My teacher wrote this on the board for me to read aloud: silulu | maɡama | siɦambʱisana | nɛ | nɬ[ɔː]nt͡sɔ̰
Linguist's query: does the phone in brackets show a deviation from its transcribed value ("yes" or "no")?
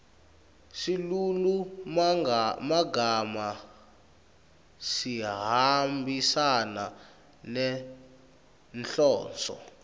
no